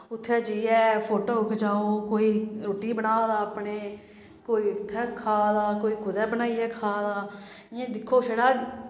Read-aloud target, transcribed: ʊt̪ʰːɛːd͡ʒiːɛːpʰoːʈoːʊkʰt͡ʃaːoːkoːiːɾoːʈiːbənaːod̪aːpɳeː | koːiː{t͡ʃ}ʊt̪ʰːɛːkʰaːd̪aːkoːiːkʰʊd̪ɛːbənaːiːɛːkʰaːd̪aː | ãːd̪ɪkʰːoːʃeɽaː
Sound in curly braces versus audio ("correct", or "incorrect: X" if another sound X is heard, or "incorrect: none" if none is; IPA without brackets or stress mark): incorrect: none